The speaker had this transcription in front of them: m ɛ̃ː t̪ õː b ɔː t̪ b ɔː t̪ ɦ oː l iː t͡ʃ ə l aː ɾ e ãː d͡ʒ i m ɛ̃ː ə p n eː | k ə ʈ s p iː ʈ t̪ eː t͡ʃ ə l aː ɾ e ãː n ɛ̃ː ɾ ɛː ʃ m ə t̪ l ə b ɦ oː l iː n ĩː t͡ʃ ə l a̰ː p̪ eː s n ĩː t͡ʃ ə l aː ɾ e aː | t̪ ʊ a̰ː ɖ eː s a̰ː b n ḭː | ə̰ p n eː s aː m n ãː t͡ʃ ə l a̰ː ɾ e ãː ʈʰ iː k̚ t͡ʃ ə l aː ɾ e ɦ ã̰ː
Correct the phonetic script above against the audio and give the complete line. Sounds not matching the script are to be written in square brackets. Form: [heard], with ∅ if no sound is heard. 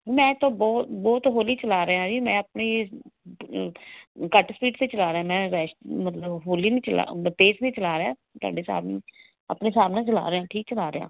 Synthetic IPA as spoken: m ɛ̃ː t̪ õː b ɔː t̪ b ɔː t̪ ɦ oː l iː t͡ʃ ə l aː ɾ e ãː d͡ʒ i m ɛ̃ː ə p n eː | k ə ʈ s p iː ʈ t̪ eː t͡ʃ ə l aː ɾ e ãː [m] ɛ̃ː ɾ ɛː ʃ m ə t̪ l ə b ɦ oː l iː n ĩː t͡ʃ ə l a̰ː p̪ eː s n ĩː t͡ʃ ə l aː ɾ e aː | t̪ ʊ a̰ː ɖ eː s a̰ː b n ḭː | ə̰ p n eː s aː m n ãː t͡ʃ ə l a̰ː ɾ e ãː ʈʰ iː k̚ t͡ʃ ə l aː ɾ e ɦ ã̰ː